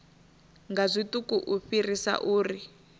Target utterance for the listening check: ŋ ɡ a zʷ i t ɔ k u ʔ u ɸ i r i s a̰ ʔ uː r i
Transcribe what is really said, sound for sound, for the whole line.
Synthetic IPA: ŋ ɡ a zʷ i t u k u ʔ u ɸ i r i s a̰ ʔ uː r i